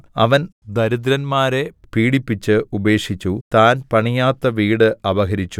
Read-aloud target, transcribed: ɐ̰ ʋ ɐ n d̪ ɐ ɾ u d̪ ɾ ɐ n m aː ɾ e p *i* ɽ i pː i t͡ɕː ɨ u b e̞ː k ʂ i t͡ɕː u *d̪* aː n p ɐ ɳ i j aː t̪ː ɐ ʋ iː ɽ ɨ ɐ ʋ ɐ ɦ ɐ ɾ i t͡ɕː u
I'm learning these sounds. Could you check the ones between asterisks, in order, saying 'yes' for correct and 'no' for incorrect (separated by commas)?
no, no